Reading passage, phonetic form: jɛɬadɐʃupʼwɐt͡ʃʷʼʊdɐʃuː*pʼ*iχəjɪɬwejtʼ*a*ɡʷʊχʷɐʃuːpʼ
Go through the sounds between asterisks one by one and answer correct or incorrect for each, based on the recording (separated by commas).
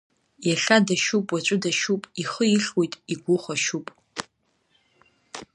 correct, incorrect